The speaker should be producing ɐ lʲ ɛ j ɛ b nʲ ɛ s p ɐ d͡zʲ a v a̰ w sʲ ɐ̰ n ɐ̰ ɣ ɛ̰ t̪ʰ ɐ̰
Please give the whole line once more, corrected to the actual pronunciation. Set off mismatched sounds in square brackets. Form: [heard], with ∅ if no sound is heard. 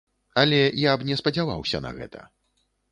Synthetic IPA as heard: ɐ lʲ ɛ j [a] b nʲ ɛ s p ɐ d͡zʲ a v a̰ w sʲ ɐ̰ n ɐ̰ ɣ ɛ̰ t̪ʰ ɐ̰

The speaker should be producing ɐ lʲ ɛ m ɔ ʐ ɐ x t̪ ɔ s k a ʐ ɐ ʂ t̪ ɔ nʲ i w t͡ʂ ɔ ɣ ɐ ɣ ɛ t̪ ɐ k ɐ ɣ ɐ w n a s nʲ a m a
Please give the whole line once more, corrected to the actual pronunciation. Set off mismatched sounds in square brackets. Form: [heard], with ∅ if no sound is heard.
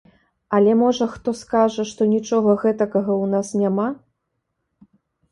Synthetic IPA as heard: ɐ lʲ ɛ m ɔ ʐ ɐ x t̪ ɔ s k a ʐ ɐ ʂ t̪ ɔ nʲ i [∅] t͡ʂ ɔ ɣ ɐ ɣ ɛ t̪ ɐ k ɐ ɣ ɐ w n a s nʲ a m a

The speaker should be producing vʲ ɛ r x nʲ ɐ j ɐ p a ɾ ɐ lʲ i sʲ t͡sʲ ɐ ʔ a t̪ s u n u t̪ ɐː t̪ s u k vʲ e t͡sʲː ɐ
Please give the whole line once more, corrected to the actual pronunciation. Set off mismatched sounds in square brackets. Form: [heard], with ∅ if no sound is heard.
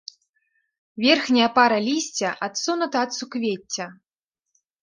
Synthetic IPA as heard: vʲ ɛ r x nʲ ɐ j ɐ p a ɾ ɐ lʲ i sʲ t͡sʲ ɐ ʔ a t̪ s u n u t̪ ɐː t̪ s u k vʲ e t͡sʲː ɐ

